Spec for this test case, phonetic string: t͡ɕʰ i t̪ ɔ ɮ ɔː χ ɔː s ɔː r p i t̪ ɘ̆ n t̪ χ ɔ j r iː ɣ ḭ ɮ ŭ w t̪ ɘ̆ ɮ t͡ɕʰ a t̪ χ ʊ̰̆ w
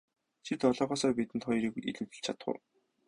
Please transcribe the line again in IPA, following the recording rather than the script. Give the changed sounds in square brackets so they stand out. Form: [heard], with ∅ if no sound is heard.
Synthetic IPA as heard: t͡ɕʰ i t̪ ɔ ɮ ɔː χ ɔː s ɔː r p i t̪ ɘ̆ n t̪ χ ɔ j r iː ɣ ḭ ɮ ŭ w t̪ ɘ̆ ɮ t͡ɕʰ a t̪ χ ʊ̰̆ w